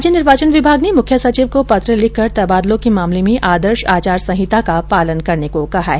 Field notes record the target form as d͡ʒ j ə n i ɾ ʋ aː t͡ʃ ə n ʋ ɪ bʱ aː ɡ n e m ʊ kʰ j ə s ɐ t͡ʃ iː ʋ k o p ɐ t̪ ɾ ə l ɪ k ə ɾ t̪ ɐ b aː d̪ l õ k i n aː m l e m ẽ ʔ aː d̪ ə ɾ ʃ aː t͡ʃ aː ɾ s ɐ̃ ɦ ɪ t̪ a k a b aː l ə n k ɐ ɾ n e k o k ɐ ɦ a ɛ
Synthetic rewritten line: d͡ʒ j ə n ɪ ɾ ʋ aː t͡ʃ ə n ʋ ɪ bʱ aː ɡ n e m ʊ kʰ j ə s ɐ t͡ʃ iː ʋ k o p ɐ t̪ ɾ ə l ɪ k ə ɾ t̪ ɐ b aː d̪ l õ k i m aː m l e m ẽ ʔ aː d̪ ə ɾ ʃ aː t͡ʃ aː ɾ s ɐ̃ ɦ ɪ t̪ a k a p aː l ə n k ɐ ɾ n e k o k ɐ ɦ a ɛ